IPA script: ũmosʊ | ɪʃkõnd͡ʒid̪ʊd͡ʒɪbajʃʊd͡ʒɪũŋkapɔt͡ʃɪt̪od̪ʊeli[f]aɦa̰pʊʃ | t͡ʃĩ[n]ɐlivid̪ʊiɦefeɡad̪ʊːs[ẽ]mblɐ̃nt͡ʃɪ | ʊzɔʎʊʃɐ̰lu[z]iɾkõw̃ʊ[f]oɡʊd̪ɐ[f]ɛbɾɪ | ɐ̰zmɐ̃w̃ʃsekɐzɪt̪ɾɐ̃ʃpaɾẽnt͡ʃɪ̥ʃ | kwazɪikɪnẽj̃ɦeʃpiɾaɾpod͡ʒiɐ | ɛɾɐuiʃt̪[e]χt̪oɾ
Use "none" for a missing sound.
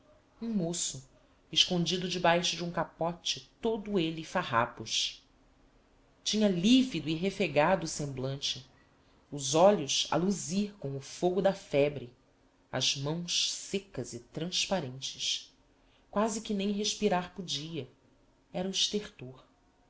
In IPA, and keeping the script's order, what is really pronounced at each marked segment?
f, ɲ, ẽ, z, f, f, e

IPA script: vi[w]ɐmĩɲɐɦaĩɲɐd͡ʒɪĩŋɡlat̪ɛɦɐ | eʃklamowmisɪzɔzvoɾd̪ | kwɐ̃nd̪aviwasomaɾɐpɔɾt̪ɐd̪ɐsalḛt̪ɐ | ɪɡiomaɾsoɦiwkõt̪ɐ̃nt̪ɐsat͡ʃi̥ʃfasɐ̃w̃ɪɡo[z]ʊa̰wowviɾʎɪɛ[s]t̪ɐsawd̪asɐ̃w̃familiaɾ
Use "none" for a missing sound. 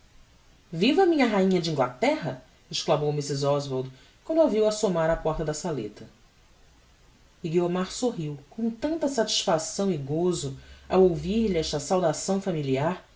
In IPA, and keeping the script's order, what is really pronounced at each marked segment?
v, z, ʃ

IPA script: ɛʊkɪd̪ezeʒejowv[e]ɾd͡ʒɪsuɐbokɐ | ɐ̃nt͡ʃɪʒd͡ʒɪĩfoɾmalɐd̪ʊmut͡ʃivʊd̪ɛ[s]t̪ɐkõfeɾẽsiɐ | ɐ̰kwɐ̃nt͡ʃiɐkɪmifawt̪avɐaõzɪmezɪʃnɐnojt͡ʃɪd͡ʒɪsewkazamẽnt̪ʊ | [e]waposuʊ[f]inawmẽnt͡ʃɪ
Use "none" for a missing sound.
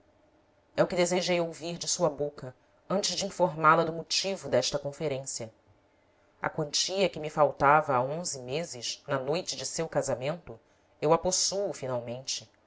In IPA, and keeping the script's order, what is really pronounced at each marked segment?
i, ʃ, e, f

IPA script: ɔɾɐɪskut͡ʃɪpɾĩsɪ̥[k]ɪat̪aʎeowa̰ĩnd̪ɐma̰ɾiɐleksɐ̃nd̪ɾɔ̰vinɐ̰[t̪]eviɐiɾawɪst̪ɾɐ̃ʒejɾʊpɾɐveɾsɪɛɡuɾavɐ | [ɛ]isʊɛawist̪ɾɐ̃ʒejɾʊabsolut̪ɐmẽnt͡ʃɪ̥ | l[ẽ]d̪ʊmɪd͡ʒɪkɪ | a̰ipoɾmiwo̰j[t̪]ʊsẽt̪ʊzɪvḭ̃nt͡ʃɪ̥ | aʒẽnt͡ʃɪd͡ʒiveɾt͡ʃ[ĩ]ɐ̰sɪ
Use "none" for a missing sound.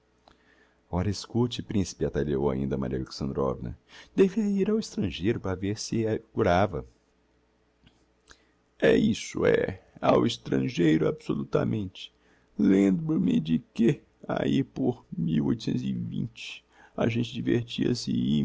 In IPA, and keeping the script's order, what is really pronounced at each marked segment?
p, d̪, ɛ, ẽ, t̪, i

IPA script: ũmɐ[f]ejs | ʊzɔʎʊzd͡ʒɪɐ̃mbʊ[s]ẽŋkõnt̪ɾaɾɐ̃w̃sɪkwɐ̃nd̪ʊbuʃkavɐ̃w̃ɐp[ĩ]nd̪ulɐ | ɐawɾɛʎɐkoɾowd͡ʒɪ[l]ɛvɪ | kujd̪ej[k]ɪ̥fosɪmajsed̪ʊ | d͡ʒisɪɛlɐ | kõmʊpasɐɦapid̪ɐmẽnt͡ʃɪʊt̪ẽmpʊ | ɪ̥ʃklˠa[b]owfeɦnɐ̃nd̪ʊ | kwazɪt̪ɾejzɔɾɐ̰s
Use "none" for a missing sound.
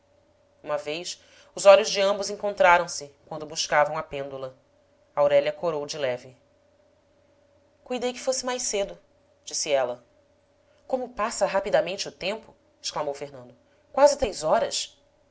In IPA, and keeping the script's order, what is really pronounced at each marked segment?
v, z, ẽ, l, k, m

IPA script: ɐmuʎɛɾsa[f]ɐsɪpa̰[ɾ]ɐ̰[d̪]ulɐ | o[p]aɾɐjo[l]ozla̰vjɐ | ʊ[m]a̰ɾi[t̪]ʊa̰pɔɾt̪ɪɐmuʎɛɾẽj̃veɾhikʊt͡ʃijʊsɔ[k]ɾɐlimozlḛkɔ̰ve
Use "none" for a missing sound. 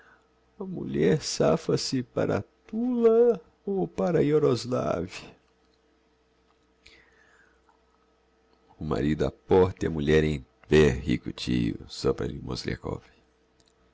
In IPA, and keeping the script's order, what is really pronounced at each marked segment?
f, ɾ, t̪, p, ɾ, m, d̪, p

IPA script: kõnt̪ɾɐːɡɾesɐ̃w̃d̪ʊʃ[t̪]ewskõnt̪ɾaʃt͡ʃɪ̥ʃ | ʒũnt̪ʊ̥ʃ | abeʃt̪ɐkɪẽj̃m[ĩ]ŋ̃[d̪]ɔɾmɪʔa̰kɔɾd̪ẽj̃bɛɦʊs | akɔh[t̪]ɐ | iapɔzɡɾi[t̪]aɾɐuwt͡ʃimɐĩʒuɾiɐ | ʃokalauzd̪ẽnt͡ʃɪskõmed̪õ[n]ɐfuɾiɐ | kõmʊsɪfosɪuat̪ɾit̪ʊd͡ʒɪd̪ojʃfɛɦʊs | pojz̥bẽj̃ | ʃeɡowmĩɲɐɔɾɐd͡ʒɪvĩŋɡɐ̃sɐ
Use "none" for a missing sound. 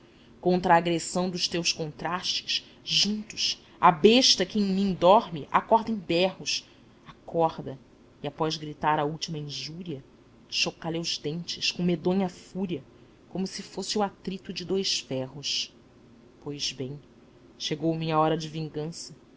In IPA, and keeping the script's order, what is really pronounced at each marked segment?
t̪, ĩ, d̪, d̪, t̪, ɲ

